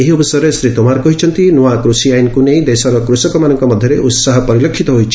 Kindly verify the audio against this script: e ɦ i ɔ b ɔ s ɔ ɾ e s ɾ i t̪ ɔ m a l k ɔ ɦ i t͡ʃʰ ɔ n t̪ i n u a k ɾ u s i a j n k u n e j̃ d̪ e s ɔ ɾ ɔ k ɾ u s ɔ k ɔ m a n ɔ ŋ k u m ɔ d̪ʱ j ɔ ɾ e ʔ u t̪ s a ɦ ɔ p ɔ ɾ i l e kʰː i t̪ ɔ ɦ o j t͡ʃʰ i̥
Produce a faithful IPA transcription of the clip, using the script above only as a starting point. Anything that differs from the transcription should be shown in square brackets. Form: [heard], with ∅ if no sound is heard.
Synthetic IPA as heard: e ɦ i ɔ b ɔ s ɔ ɾ e s ɾ i t̪ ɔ m a [ɾ] k ɔ ɦ i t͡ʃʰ ɔ n t̪ i n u a k ɾ u s i a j n k u n e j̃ d̪ e s ɔ ɾ ɔ k ɾ u s ɔ k ɔ m a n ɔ ŋ k [ɔ] m ɔ d̪ʱ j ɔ ɾ e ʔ u t̪ s a ɦ ɔ p ɔ ɾ i l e kʰː i t̪ ɔ ɦ o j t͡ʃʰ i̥